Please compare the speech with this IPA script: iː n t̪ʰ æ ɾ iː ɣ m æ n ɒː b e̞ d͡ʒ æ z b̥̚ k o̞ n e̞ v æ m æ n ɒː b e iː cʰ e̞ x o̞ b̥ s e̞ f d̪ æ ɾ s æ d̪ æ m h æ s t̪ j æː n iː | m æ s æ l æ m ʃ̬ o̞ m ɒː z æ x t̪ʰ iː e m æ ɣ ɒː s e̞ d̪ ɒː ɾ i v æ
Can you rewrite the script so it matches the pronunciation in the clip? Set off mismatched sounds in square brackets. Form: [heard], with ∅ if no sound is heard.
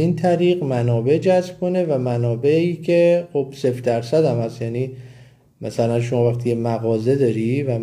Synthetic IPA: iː n t̪ʰ æ ɾ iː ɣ m æ n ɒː b e̞ d͡ʒ æ z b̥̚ k o̞ n e̞ v æ m æ n ɒː b e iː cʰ e̞ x o̞ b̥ s e̞ f d̪ æ ɾ s æ d̪ æ m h æ s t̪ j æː n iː | m æ s æ l æ [n] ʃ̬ o̞ m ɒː [v] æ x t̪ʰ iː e m æ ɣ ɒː [z] e̞ d̪ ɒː ɾ i v æ